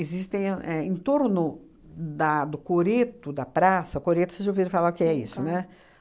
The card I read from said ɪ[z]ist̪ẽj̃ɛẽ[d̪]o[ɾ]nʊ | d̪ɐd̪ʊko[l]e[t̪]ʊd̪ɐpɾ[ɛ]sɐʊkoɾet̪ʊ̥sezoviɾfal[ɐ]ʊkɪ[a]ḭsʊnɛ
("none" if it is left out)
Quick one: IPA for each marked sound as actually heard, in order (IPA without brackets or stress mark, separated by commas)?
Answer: z, t̪, ɾ, ɾ, t̪, a, a, ɛ